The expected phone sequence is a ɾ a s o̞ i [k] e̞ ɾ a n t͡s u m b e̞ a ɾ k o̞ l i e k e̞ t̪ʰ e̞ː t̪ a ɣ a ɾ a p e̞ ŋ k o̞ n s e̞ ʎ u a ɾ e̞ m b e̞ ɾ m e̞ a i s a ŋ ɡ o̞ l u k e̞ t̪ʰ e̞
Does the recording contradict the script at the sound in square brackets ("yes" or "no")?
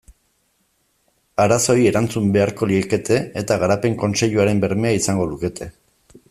yes